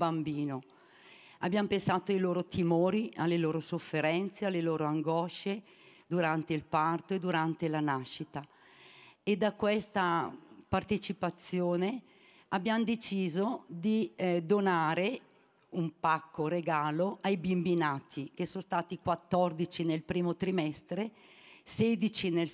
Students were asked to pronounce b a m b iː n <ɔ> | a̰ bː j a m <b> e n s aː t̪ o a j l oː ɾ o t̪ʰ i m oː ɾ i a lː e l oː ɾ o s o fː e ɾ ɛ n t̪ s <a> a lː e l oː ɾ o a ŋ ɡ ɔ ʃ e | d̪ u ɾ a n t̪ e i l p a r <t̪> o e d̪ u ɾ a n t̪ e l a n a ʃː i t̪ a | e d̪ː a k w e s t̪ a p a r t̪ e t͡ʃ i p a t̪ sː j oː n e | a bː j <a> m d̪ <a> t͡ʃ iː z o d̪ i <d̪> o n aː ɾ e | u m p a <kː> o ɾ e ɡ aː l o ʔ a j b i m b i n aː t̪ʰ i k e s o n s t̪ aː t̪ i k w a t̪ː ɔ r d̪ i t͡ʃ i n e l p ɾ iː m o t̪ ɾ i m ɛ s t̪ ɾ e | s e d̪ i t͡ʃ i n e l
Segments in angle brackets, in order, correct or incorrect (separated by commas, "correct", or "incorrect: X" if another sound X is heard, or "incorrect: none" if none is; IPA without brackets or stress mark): incorrect: o, incorrect: p, incorrect: e, correct, correct, incorrect: e, correct, correct